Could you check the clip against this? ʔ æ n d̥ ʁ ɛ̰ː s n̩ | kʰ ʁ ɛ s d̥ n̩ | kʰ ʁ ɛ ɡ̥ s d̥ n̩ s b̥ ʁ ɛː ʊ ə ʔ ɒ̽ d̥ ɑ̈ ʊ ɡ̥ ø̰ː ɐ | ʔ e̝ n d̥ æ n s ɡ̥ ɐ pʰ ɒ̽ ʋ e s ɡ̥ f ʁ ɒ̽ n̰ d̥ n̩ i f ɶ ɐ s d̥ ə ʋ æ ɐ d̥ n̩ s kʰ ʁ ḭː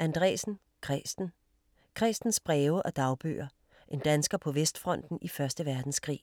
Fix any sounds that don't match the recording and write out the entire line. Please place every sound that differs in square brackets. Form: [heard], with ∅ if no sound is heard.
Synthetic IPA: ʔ æ n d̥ ʁ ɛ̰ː s n̩ | kʰ ʁ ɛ s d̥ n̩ | kʰ ʁ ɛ [∅] s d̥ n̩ s b̥ ʁ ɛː ʊ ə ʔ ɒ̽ d̥ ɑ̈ ʊ [b̥] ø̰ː ɐ | ʔ e̝ n d̥ æ n s ɡ̥ ɐ pʰ ɒ̽ ʋ e s [d̥] f ʁ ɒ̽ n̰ d̥ n̩ i f ɶ ɐ s d̥ ə ʋ æ ɐ d̥ n̩ s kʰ ʁ ḭː

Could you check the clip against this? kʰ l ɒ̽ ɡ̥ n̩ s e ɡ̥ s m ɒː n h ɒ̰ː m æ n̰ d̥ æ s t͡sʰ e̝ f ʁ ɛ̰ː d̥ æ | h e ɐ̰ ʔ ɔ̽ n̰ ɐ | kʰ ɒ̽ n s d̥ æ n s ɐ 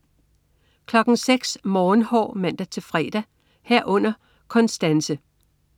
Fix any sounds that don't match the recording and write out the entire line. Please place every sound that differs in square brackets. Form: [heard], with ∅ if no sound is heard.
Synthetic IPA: kʰ l ɒ̽ ɡ̥ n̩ s e ɡ̥ s m ɒː n h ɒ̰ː m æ n̰ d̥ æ [∅] t͡sʰ e̝ f ʁ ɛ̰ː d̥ æ | h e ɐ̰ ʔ ɔ̽ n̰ ɐ | kʰ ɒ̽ n s d̥ æ n s [ə]

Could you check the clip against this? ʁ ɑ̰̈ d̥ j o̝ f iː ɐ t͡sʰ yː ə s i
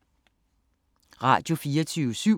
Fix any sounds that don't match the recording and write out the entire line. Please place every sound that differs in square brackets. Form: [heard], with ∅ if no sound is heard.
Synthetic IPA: ʁ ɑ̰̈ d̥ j o̝ f iː ɐ t͡sʰ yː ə s [y]

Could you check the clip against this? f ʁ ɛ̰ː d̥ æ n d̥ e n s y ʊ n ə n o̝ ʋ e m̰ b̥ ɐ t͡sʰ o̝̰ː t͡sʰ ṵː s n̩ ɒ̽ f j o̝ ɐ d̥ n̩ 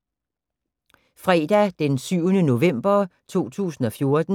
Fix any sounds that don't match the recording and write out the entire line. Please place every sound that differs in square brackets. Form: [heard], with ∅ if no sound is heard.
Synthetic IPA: f ʁ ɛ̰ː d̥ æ [∅] d̥ e n s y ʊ n ə n o̝ ʋ e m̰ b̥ ɐ t͡sʰ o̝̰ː t͡sʰ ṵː s n̩ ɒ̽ f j o̝ ɐ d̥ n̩

